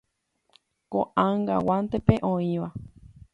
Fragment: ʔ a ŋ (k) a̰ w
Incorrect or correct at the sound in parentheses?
incorrect: ɡ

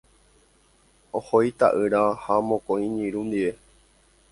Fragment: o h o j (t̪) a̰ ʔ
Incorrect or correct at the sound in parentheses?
correct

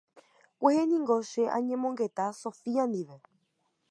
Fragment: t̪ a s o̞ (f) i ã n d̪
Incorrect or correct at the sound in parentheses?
correct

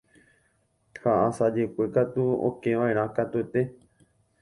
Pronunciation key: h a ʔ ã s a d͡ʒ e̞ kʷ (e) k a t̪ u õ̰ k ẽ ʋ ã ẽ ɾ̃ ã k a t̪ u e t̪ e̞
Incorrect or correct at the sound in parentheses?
correct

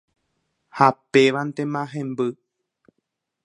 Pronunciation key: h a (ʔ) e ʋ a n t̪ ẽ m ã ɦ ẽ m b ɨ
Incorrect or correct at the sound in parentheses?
incorrect: p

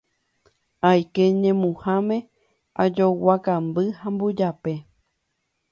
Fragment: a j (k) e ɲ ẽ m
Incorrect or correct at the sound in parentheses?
correct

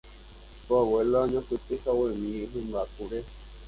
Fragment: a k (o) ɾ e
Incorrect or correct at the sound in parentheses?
incorrect: u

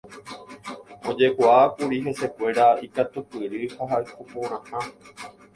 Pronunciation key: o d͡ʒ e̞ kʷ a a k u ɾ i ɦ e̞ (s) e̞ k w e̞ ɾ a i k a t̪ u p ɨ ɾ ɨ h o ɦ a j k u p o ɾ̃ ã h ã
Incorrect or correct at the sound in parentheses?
correct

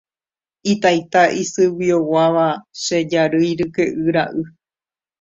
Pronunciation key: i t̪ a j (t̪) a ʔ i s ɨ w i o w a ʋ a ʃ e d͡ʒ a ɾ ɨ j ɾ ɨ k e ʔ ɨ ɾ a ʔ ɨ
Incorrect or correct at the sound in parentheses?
correct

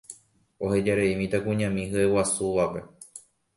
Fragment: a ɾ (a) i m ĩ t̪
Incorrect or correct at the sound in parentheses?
incorrect: e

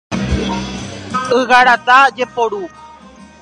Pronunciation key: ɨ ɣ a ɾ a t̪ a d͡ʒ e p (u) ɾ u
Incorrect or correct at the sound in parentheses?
incorrect: o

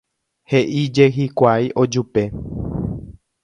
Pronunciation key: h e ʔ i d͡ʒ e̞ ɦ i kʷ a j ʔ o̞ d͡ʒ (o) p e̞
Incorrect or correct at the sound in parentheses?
incorrect: u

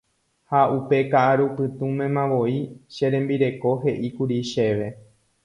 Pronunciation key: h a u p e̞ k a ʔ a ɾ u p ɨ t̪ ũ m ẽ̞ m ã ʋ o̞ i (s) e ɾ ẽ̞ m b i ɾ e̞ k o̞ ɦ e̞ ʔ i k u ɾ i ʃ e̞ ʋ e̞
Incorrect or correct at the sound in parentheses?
incorrect: ʃ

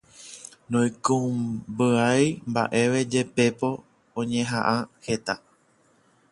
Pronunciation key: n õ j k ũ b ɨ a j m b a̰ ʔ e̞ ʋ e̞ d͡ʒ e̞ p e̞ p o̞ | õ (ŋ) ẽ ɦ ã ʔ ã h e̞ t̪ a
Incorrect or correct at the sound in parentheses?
incorrect: ɲ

